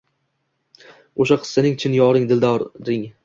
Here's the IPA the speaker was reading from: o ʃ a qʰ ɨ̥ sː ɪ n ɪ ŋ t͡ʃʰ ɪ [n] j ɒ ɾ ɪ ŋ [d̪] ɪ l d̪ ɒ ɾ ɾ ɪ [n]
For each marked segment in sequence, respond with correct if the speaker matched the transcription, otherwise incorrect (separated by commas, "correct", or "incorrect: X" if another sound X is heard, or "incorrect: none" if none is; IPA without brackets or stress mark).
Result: correct, correct, incorrect: ŋ